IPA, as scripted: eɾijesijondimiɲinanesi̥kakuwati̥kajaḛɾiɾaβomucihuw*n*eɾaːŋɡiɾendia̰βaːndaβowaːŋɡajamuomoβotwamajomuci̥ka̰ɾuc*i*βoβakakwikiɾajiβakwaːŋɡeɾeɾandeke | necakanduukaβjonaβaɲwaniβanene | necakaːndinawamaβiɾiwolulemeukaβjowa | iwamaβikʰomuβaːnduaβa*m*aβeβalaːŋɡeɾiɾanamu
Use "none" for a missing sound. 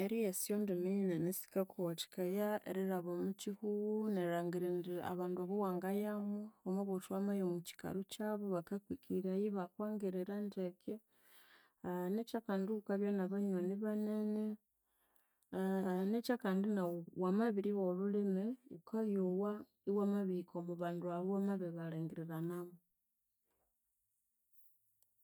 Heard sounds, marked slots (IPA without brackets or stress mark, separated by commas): n, a, m